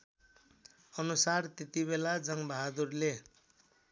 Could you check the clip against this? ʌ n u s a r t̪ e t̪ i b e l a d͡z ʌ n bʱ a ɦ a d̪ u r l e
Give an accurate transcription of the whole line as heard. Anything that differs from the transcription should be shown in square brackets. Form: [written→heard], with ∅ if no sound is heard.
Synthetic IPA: ʌ n u s a r t̪ e t̪ i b e l a d͡z ʌ [n→ŋ] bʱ a ɦ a d̪ u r l e